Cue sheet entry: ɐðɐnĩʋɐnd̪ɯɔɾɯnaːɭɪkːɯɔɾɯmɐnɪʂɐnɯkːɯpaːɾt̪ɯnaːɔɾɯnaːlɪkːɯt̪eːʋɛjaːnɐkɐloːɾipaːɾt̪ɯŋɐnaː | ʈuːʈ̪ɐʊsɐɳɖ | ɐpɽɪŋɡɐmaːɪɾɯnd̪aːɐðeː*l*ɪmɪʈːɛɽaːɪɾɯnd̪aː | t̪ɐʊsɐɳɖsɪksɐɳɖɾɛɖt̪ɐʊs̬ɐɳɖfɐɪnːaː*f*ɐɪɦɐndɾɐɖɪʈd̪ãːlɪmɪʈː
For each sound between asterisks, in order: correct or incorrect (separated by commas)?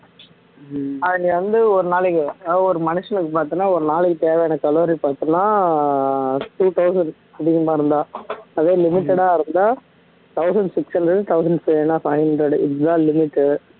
correct, correct